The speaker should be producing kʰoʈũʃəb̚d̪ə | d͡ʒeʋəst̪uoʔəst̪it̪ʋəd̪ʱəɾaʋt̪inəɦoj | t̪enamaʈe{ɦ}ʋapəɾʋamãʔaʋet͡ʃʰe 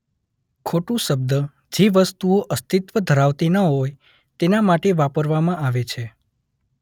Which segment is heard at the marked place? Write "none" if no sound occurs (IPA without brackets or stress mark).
none